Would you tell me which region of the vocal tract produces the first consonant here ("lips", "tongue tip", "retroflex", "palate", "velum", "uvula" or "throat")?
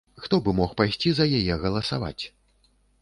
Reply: velum